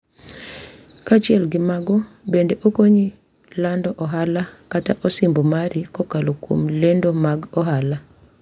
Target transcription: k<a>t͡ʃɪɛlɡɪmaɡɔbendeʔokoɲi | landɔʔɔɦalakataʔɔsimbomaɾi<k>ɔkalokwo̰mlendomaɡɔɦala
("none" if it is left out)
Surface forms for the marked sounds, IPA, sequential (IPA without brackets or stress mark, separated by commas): a, k